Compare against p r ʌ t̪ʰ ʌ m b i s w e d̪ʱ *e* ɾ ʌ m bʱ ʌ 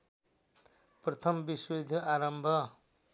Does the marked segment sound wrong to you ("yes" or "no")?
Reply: yes